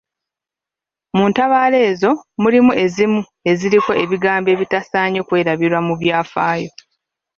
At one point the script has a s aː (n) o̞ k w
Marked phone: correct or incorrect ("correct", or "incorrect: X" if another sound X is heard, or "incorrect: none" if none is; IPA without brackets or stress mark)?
incorrect: ɲ